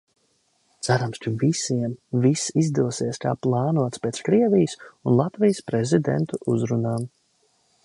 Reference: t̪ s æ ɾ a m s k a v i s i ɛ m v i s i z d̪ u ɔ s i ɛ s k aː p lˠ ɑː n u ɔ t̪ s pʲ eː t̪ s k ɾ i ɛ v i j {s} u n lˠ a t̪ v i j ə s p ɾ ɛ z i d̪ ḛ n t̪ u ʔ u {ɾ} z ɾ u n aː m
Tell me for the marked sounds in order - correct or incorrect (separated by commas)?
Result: correct, incorrect